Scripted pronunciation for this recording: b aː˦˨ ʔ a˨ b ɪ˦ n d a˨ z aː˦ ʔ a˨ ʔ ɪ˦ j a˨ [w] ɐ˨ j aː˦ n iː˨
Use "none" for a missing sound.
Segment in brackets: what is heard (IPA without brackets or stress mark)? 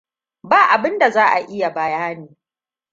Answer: b